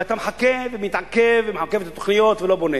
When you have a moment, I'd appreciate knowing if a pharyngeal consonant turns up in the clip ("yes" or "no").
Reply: yes